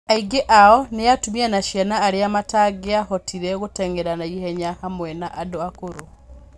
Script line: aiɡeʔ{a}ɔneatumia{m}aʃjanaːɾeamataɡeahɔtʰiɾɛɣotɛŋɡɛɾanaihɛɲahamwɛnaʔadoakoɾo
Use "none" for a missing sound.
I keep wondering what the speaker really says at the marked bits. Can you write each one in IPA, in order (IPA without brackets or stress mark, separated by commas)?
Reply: a, n